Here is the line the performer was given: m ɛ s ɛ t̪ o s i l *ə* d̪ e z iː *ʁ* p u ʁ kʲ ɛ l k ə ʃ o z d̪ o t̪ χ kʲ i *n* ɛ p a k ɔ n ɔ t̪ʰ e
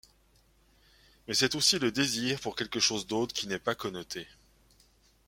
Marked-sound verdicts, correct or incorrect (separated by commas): correct, correct, correct